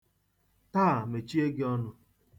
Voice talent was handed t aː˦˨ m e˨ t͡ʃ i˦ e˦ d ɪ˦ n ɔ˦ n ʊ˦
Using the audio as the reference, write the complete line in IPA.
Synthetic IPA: t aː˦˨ m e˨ t͡ʃ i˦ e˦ ɡ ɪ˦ ɔ˦ n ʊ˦